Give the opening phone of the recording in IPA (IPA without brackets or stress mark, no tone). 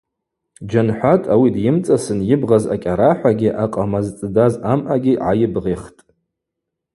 d͡ʒ